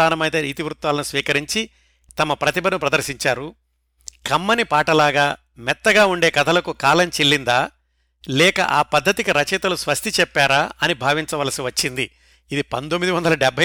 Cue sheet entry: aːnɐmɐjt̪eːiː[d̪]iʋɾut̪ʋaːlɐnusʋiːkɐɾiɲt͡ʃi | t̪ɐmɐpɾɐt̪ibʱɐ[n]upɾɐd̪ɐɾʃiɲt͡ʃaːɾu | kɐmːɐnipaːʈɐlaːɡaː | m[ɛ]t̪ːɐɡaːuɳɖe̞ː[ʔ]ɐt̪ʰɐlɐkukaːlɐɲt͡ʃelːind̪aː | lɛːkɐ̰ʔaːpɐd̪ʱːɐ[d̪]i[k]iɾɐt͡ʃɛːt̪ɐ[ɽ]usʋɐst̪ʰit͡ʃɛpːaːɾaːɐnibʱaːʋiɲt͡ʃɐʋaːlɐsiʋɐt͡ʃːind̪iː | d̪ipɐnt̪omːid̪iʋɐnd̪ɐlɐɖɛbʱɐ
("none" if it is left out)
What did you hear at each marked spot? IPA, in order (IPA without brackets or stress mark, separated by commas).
t̪, n, ɛ, k, t̪, k, l